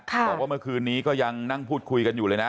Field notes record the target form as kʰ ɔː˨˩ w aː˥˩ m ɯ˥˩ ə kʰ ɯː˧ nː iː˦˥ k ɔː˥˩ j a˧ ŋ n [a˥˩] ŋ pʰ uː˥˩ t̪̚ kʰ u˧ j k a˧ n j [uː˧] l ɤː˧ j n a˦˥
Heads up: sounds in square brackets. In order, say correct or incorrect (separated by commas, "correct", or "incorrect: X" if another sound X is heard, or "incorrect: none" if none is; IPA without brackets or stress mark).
correct, incorrect: uː˨˩